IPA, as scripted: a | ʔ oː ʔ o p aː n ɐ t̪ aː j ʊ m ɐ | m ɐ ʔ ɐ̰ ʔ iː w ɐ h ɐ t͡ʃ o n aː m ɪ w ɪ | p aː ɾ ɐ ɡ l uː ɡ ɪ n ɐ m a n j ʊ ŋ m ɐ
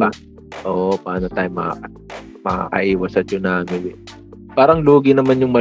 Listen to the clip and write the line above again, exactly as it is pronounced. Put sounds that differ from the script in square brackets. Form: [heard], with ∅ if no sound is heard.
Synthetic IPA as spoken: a | ʔ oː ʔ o p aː n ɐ t̪ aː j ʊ m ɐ | m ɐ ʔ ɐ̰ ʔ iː w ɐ [s] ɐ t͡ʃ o n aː m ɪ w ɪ | p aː ɾ ɐ [ŋ] l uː ɡ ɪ n ɐ m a n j ʊ ŋ m ɐ